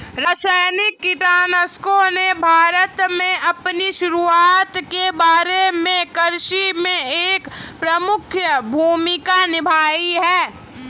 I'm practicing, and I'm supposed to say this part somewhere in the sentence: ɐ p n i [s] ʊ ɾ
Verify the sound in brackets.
incorrect: ʃ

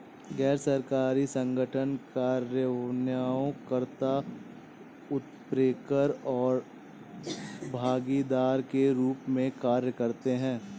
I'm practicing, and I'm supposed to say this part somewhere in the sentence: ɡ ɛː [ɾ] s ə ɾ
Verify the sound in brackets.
correct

